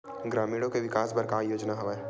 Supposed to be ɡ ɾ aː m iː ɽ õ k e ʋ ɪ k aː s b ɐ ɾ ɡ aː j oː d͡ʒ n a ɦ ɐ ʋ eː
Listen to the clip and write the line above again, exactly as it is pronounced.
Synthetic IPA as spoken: ɡ ɾ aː m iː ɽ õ k e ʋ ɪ k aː s b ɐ ɾ k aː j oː d͡ʒ n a ɦ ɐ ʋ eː